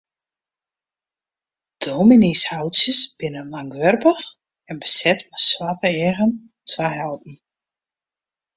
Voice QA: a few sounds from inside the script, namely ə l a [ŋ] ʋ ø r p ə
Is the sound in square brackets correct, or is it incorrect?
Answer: correct